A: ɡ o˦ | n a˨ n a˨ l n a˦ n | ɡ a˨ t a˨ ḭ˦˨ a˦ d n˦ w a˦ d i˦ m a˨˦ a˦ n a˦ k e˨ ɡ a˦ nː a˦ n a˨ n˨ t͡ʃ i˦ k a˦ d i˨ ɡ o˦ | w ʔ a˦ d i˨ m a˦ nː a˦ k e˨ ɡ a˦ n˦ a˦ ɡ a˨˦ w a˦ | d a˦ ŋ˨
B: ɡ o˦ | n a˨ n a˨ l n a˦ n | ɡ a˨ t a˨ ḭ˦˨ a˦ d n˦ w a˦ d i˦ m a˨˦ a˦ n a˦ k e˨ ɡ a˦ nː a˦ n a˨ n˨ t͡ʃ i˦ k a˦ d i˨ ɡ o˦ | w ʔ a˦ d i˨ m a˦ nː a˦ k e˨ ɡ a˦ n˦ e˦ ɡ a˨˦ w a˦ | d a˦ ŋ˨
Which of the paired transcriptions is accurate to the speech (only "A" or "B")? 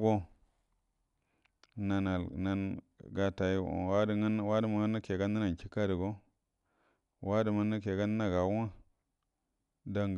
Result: A